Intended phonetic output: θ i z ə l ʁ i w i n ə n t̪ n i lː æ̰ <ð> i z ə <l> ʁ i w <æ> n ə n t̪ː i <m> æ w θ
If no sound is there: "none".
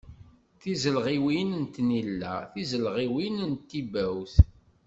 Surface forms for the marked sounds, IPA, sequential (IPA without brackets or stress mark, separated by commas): θ, l, i, b